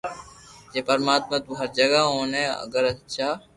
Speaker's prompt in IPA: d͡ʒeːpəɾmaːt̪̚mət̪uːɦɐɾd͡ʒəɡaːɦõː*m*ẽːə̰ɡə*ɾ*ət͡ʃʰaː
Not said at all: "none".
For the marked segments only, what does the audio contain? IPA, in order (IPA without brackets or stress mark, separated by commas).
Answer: n, ɾ